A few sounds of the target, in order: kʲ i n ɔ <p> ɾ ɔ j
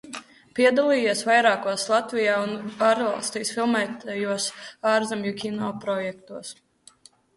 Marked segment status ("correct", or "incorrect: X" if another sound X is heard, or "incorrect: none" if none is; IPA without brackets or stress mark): correct